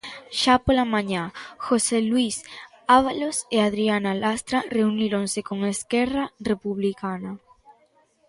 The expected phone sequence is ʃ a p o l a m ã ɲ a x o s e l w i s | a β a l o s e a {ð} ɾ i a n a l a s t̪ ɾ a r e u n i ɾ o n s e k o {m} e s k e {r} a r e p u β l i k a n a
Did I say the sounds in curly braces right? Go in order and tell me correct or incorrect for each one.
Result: correct, incorrect: ŋ, correct

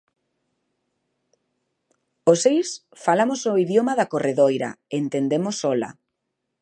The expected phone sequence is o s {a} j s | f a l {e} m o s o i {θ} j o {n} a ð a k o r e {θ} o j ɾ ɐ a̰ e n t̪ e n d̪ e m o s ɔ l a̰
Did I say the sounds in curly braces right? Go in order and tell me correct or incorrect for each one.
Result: incorrect: e, incorrect: a, incorrect: ð, incorrect: m, incorrect: ð

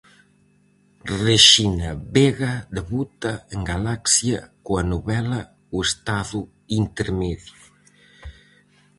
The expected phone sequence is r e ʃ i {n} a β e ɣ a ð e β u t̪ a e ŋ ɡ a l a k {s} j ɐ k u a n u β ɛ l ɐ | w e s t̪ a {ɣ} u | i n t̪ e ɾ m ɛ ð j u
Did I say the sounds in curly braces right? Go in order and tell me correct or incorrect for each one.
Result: correct, correct, incorrect: ð

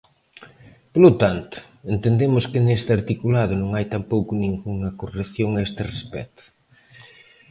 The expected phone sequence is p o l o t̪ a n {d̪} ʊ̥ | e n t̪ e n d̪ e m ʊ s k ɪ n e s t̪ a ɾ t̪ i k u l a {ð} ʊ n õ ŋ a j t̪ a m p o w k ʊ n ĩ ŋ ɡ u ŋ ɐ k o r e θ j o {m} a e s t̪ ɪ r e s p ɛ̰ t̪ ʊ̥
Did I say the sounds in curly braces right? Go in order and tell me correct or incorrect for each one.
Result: incorrect: t̪, correct, incorrect: ŋ

